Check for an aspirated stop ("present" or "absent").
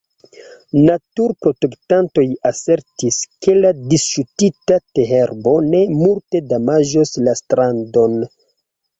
absent